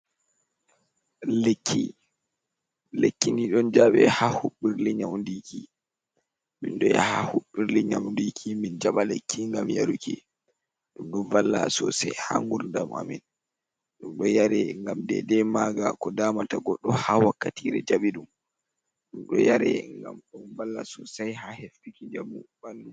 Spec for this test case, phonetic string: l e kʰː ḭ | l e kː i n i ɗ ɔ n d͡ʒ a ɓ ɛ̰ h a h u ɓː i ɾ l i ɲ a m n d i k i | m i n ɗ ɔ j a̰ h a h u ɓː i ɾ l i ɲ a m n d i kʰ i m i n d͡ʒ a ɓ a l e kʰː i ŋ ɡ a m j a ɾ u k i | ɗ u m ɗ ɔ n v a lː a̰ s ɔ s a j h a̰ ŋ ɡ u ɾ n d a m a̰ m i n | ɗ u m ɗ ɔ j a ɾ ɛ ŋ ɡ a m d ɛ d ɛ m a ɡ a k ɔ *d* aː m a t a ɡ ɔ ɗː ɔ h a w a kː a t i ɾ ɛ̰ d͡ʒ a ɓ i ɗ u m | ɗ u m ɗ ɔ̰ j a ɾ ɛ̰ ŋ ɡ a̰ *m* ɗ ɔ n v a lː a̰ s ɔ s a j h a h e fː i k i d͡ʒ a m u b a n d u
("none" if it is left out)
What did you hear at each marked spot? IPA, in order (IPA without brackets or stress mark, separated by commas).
d, m